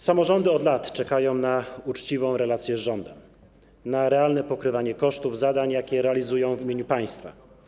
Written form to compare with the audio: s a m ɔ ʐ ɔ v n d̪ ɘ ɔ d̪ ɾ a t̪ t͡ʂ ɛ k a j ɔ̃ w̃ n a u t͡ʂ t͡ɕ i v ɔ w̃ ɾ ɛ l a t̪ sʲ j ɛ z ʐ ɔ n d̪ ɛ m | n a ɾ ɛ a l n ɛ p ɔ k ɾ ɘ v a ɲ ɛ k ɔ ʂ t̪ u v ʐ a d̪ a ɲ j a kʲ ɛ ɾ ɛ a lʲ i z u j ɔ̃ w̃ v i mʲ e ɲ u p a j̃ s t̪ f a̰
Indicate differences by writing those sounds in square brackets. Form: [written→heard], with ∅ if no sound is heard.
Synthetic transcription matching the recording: s a m ɔ ʐ ɔ [v→∅] n d̪ ɘ ɔ d̪ [ɾ→l] a t̪ t͡ʂ ɛ k a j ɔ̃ w̃ n a u t͡ʂ t͡ɕ i v [ɔ→ɔ̃] w̃ ɾ ɛ l a t̪ sʲ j ɛ z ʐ ɔ n d̪ ɛ m | n a ɾ ɛ a l n ɛ p ɔ k ɾ ɘ v a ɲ ɛ k ɔ ʂ t̪ u v [ʐ→z] a d̪ a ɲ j a kʲ ɛ ɾ ɛ a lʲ i z u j ɔ̃ w̃ v i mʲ e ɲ u p a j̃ s t̪ f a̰

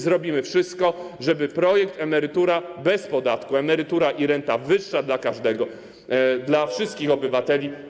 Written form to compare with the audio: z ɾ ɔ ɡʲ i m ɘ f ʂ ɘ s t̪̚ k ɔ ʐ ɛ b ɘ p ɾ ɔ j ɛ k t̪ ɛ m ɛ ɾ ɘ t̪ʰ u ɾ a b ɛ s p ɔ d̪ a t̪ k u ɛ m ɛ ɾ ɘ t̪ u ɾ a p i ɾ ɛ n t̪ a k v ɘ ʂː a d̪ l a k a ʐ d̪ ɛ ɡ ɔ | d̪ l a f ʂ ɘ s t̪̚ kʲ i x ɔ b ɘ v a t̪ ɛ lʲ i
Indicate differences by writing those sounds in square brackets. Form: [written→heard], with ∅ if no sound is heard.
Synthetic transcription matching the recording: z ɾ ɔ [ɡʲ→bʲ] i m ɘ f ʂ ɘ s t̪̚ k ɔ ʐ ɛ b ɘ p ɾ ɔ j ɛ k t̪ ɛ m ɛ ɾ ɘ [t̪ʰ→t̪] u ɾ a b ɛ s p ɔ d̪ a t̪ k u ɛ m ɛ ɾ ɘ t̪ u ɾ a [p→ʔ] i ɾ ɛ n t̪ a [k→∅] v ɘ ʂː a d̪ l a k a ʐ d̪ ɛ ɡ ɔ | d̪ l a f ʂ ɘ s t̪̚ kʲ i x ɔ b ɘ v a t̪ ɛ lʲ i

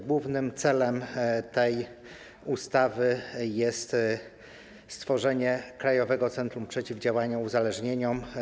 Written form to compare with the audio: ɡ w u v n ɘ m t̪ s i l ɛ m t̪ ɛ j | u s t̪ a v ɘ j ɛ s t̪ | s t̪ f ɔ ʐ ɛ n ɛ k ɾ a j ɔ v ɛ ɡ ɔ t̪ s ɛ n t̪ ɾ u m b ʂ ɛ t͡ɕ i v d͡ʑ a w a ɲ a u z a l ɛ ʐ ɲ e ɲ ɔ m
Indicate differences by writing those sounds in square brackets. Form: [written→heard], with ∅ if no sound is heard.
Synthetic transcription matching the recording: ɡ w u v n ɘ m t̪ s [i→ɛ] l ɛ m t̪ ɛ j | u s t̪ a v ɘ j ɛ s t̪ | s t̪ f ɔ ʐ ɛ [n→ɲ] ɛ k ɾ a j ɔ v ɛ ɡ ɔ t̪ s ɛ n t̪ ɾ u m [b→p] ʂ ɛ t͡ɕ i v d͡ʑ a w a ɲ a u z a l ɛ ʐ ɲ e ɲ ɔ m

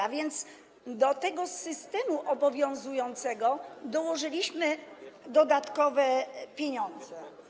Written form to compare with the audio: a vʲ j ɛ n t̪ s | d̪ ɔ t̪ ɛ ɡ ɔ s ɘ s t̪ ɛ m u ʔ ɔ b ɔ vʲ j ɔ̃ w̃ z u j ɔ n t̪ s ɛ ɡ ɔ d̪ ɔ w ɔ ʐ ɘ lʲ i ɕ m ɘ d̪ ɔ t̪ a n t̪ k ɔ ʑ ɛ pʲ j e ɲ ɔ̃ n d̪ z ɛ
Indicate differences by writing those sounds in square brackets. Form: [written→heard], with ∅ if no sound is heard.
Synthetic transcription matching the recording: a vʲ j ɛ n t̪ s | d̪ ɔ t̪ ɛ ɡ ɔ s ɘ s t̪ ɛ m u ʔ ɔ b ɔ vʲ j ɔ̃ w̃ z u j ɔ n t̪ s ɛ ɡ ɔ d̪ ɔ w ɔ ʐ ɘ lʲ i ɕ m ɘ d̪ ɔ [t̪→d̪] a [n→∅] t̪ k ɔ [ʑ→v] ɛ pʲ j e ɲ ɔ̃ n d̪ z ɛ

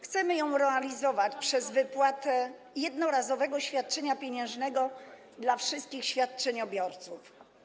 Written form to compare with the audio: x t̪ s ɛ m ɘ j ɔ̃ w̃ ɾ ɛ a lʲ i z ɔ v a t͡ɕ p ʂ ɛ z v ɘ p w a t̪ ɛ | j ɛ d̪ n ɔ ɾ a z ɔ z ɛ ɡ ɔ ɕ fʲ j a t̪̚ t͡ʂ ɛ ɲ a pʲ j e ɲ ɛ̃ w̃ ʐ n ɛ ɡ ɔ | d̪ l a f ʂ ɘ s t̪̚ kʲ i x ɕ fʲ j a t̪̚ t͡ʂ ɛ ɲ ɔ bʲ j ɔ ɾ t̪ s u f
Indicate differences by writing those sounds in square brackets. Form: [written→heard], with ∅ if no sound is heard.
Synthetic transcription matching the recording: x t̪ s ɛ m ɘ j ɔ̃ w̃ ɾ ɛ a lʲ i z ɔ v a t͡ɕ p ʂ ɛ z v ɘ p w a t̪ ɛ | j ɛ d̪ n ɔ ɾ a z ɔ [z→v] ɛ ɡ ɔ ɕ fʲ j a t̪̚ t͡ʂ ɛ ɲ a pʲ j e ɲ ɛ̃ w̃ ʐ n ɛ ɡ ɔ | d̪ l a f ʂ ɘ s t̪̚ kʲ i x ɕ fʲ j a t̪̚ t͡ʂ ɛ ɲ ɔ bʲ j ɔ ɾ t̪ s u f

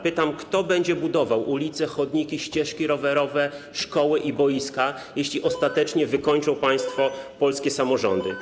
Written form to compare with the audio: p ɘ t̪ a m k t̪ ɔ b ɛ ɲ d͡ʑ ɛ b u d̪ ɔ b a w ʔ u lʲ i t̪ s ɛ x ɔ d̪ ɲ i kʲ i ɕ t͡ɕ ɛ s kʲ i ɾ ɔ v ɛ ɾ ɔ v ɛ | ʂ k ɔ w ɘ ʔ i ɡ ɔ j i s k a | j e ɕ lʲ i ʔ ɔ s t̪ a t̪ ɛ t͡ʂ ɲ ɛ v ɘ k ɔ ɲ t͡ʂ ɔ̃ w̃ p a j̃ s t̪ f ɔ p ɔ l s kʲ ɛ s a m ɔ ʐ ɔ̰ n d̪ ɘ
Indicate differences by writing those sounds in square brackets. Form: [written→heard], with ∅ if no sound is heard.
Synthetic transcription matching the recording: p ɘ t̪ a m k t̪ ɔ b ɛ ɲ d͡ʑ ɛ b u d̪ ɔ [b→v] a w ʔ u lʲ i t̪ s ɛ x ɔ d̪ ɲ i kʲ i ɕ t͡ɕ ɛ [s→ʂ] kʲ i ɾ ɔ v ɛ ɾ ɔ v ɛ | ʂ k ɔ w ɘ ʔ i [ɡ→b] ɔ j i s k a | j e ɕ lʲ i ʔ ɔ s t̪ a t̪ ɛ t͡ʂ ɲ ɛ v ɘ k ɔ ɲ t͡ʂ ɔ̃ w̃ p a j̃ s t̪ f ɔ p ɔ l s kʲ ɛ s a m ɔ ʐ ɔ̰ n d̪ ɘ

